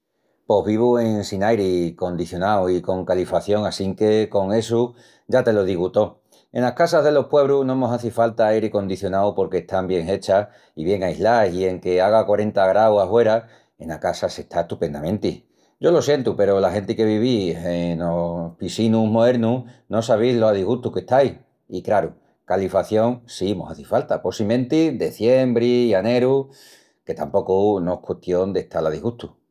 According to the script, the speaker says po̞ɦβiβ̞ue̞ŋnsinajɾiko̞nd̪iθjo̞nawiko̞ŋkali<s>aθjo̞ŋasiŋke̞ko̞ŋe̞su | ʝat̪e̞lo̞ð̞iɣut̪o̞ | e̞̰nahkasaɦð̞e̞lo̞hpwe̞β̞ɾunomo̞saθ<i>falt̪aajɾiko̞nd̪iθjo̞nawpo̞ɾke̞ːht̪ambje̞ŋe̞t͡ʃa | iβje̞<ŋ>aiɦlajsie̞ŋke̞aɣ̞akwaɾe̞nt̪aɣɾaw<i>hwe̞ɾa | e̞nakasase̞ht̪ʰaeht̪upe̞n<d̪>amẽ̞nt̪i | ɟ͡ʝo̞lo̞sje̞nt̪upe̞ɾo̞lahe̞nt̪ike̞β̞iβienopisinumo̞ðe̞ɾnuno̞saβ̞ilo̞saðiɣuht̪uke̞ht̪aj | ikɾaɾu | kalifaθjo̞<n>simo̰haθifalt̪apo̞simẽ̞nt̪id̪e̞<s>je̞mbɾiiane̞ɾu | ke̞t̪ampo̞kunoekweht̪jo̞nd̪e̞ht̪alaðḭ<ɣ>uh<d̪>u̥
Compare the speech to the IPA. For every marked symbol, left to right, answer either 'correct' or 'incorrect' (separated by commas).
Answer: incorrect, correct, correct, incorrect, correct, incorrect, incorrect, correct, incorrect